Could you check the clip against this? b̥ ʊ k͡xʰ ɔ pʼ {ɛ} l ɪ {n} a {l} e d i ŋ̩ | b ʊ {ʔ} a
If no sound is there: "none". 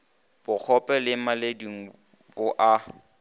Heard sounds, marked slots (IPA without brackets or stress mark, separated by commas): ɛ, m, l, ʔ